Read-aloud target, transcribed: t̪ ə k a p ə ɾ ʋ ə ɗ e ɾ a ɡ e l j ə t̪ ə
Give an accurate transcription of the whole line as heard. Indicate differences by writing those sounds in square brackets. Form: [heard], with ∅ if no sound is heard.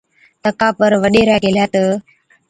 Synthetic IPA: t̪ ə k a p ə ɾ ʋ ə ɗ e ɾ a ɡ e l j [a] t̪ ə